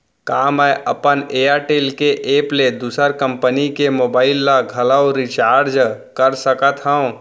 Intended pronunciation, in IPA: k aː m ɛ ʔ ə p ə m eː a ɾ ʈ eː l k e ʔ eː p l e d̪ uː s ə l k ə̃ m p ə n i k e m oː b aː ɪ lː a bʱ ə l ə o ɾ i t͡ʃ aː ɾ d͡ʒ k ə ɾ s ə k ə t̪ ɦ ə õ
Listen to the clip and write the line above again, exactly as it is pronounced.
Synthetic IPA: k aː m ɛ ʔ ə p ə n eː a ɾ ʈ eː l k e ʔ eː p l e d̪ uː s ə ɾ k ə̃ m p ə n i k e m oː b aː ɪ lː a ɡʱ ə l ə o ɾ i t͡ʃ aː ɾ d͡ʒ k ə ɾ s ə k ə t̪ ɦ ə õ